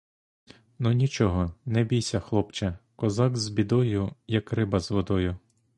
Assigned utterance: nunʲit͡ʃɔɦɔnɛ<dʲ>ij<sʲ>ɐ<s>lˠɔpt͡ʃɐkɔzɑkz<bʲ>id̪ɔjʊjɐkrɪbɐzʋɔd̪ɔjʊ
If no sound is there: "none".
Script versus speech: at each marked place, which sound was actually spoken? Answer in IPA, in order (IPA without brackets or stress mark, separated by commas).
bʲ, sʲ, x, bʲ